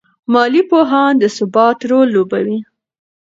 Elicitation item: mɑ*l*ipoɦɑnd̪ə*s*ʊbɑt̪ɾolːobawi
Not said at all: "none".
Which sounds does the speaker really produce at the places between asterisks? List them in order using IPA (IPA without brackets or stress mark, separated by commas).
l, s